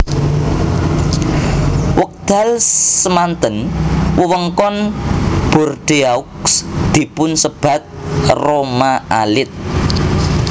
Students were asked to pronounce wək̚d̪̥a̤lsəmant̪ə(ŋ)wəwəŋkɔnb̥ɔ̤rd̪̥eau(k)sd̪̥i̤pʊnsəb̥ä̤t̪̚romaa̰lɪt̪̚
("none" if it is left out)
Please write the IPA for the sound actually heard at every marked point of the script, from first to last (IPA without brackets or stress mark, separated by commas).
n, k